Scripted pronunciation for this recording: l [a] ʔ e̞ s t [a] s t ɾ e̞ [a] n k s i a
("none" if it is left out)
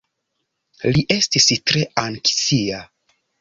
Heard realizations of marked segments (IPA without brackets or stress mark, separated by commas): i, i, a